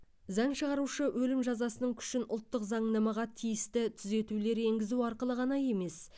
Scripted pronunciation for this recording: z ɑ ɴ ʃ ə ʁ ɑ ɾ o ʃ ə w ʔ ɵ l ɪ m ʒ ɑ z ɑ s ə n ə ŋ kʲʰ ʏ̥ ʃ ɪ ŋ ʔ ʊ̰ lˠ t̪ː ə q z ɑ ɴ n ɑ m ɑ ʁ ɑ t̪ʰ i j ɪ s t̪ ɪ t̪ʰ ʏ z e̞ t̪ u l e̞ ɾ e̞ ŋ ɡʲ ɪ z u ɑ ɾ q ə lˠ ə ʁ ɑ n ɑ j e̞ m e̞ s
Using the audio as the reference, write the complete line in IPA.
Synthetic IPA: z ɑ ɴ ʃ ə ʁ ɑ ɾ u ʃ ə w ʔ ɵ l ɪ m ʒ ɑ z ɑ s ə n ə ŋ kʲʰ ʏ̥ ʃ ɪ n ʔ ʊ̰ lˠ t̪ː ə q z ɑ ɴ n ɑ m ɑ ʁ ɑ t̪ʰ i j ɪ s t̪ ɪ t̪ʰ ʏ z e̞ t̪ u l e̞ ɾ e̞ ŋ ɡʲ ɪ z u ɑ ɾ q ə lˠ ə ʁ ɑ n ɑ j e̞ m e̞ s